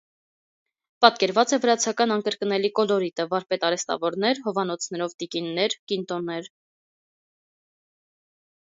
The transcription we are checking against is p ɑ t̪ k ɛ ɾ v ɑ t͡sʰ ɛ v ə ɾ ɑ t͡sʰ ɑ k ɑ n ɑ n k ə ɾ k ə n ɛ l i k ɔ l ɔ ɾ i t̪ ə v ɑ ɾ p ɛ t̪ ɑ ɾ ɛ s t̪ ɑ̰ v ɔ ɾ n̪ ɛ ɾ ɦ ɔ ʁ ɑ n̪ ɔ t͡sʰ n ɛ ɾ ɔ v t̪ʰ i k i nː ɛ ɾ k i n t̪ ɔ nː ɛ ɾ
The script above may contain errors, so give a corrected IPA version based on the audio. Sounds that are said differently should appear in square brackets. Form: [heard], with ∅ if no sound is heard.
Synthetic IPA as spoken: p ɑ t̪ k ɛ ɾ v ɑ [t͡s] ɛ v ə ɾ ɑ t͡sʰ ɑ k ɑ n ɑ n k ə ɾ k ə n ɛ l i k ɔ l ɔ ɾ i t̪ ə v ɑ ɾ p ɛ t̪ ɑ ɾ ɛ s t̪ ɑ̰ v ɔ ɾ n̪ ɛ ɾ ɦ ɔ [v] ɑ n̪ ɔ t͡sʰ n ɛ ɾ ɔ v [t̪] i k i nː ɛ ɾ k i n t̪ ɔ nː ɛ ɾ